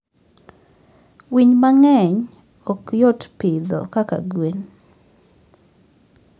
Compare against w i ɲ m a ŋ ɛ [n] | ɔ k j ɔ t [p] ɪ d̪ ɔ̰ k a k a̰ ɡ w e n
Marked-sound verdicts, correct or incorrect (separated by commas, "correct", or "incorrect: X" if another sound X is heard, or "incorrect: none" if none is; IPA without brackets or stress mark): incorrect: ɲ, correct